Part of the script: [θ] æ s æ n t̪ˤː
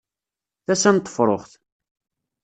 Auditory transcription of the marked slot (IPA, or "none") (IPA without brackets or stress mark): θ